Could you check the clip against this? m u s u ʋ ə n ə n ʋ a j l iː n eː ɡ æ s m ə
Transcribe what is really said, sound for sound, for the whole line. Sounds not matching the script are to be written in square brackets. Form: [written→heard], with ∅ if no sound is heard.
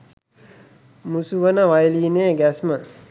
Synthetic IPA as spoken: m u s u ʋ ə n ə [n→∅] ʋ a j l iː n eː ɡ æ s m ə